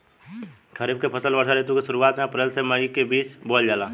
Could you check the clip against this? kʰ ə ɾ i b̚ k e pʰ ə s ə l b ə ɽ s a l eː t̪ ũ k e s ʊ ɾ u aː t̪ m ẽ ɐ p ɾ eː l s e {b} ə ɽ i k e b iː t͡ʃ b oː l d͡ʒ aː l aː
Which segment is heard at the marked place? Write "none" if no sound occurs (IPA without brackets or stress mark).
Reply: m